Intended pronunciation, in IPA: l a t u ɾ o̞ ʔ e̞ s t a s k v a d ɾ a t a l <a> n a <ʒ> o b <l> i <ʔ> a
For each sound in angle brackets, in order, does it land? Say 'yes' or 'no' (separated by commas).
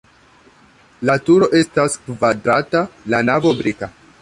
yes, no, no, no